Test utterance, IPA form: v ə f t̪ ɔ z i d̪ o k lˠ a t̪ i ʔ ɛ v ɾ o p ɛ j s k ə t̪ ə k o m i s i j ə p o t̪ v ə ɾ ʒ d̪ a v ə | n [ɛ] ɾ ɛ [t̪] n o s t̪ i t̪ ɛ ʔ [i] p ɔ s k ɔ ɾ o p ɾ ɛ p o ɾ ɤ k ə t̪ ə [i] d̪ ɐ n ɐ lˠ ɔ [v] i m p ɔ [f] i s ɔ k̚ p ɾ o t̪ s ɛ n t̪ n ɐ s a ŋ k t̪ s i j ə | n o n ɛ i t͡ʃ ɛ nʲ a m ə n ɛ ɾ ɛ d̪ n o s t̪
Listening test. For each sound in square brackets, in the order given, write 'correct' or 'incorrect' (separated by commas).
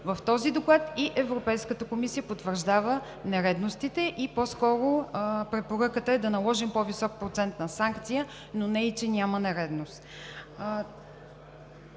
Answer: correct, incorrect, correct, incorrect, incorrect, incorrect